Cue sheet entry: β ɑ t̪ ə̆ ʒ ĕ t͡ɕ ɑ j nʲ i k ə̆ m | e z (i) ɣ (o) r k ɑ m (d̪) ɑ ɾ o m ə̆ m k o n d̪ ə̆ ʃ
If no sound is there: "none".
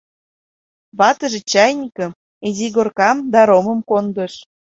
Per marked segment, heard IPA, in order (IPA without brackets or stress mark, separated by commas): i, o, d̪